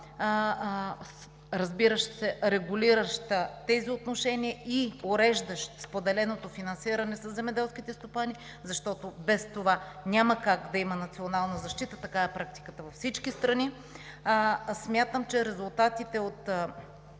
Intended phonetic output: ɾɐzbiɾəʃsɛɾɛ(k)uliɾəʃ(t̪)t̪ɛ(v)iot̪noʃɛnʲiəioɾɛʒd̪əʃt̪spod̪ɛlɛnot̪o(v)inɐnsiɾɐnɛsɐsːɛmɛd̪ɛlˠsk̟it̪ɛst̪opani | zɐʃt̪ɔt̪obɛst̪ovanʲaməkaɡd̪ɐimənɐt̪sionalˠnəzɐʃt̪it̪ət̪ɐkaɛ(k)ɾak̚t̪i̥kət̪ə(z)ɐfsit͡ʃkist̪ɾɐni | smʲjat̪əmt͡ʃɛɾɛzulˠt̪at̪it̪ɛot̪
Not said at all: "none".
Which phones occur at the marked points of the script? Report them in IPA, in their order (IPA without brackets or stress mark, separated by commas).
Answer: ɡ, t̪, z, f, p, v